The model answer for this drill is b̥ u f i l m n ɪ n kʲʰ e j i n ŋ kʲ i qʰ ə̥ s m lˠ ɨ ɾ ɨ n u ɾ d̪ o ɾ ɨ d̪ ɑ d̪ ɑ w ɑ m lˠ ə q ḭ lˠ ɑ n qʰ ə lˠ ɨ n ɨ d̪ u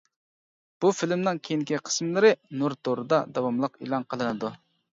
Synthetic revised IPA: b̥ u f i l m n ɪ ŋ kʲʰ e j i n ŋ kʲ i qʰ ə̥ s m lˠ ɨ ɾ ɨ n u ɾ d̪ o ɾ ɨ d̪ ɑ d̪ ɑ w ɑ m lˠ ə q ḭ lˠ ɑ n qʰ ə lˠ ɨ n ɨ d̪ u